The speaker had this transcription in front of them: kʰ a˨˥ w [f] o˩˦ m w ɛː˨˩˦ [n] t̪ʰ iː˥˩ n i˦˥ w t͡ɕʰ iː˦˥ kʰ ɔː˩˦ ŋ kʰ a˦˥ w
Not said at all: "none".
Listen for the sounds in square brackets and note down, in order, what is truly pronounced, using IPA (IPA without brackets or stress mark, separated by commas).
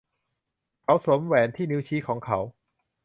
s, n